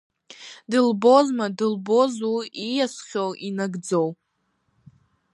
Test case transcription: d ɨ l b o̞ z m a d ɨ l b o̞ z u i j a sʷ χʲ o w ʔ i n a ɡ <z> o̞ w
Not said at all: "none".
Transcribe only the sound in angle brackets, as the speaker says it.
d͡z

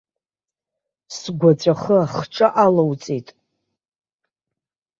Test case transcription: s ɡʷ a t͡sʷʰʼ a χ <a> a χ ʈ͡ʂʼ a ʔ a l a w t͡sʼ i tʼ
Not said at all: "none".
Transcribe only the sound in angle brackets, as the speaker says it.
ə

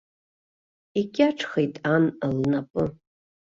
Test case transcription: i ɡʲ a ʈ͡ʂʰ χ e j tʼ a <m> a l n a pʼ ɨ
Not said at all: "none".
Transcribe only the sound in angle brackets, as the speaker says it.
n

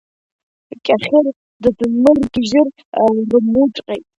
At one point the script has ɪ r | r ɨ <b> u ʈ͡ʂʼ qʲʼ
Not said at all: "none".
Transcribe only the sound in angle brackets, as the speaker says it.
m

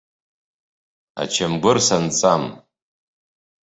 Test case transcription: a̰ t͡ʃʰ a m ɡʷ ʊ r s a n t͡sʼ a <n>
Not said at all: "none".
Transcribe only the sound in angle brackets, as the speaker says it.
m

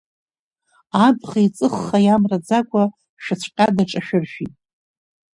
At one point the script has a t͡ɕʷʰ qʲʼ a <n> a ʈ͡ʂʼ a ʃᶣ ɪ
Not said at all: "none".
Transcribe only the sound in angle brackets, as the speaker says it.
d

